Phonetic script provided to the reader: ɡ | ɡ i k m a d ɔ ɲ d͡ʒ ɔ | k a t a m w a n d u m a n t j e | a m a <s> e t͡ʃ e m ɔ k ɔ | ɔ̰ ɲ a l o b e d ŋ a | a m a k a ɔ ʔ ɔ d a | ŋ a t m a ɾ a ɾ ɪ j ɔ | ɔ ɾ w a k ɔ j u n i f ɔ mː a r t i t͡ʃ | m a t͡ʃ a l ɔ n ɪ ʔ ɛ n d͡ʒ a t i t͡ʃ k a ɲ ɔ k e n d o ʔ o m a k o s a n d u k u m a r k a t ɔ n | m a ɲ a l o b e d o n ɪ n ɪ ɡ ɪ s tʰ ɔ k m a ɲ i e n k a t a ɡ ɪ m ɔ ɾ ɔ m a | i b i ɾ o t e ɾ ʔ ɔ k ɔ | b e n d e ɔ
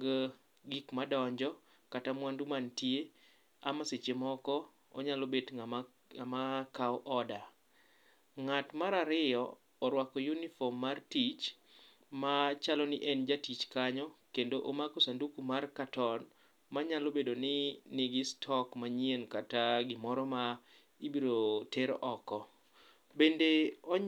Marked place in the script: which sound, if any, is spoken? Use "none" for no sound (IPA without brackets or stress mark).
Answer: s